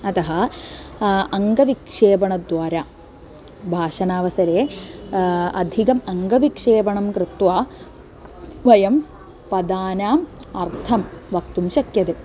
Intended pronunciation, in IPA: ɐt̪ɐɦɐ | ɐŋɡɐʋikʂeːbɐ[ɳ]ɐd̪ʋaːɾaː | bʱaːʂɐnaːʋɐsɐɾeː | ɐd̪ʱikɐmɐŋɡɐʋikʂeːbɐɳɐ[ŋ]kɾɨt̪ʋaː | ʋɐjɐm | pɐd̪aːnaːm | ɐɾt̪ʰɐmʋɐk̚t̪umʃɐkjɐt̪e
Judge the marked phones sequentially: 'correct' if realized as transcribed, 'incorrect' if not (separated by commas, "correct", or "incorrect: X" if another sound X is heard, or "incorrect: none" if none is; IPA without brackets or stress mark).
correct, incorrect: m